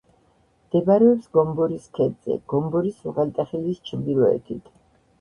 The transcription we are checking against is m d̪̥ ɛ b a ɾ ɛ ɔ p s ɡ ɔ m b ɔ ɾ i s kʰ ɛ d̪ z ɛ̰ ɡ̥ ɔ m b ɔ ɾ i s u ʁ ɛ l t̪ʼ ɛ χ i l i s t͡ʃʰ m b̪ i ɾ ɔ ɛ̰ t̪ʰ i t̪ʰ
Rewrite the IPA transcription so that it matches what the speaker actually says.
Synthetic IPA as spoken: m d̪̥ ɛ b a ɾ ɛ ɔ p s ɡ ɔ m b ɔ ɾ i s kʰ ɛ d̪ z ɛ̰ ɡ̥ ɔ m b ɔ ɾ i s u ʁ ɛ l t̪ʼ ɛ χ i l i s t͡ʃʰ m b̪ i ɾ ɔ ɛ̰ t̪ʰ i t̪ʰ